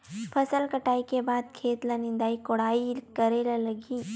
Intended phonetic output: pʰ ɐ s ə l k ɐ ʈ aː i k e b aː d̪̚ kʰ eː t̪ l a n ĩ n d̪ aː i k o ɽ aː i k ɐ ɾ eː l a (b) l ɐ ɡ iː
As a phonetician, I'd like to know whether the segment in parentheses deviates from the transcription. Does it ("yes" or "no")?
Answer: yes